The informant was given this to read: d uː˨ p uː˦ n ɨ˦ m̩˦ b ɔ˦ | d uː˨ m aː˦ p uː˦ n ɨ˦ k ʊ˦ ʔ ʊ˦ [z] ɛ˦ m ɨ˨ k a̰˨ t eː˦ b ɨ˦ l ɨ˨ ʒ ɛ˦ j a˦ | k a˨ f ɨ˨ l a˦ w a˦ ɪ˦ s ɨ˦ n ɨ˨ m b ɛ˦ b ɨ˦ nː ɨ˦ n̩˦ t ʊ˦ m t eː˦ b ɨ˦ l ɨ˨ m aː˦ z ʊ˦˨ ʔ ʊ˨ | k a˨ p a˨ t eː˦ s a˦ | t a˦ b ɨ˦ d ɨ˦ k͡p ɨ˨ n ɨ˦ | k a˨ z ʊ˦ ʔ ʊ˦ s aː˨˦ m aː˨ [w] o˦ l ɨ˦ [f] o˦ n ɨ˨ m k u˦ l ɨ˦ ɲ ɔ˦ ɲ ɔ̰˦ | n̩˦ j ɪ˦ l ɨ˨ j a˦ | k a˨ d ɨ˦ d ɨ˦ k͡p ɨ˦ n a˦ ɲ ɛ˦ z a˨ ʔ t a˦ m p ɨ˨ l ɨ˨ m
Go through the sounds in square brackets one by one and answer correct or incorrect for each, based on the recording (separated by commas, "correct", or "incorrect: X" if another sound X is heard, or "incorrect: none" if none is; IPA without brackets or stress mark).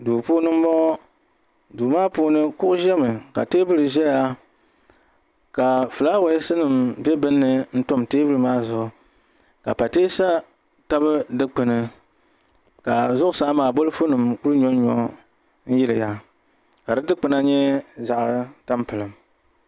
incorrect: ʒ, incorrect: b, correct